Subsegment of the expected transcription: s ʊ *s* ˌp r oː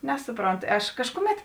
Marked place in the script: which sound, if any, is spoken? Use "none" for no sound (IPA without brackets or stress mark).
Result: none